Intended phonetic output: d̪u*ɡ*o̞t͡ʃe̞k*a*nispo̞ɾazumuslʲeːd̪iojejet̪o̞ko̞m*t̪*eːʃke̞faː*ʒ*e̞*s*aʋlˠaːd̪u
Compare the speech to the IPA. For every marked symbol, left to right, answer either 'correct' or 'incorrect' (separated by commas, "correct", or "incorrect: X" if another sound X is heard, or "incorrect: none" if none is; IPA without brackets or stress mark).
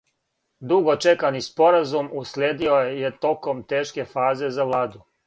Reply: correct, correct, correct, incorrect: z, incorrect: z